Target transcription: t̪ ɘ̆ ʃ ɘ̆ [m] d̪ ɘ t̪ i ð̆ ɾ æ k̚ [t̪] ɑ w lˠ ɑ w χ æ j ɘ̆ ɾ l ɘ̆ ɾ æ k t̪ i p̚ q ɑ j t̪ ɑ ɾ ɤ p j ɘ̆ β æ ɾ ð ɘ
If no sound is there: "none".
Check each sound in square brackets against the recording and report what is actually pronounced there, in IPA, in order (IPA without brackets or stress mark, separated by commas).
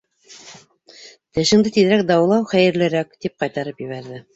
ŋ, d̪